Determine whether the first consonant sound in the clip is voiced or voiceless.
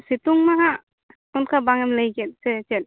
voiceless